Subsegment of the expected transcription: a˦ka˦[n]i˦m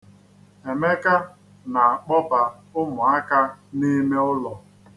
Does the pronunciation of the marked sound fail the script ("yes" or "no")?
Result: no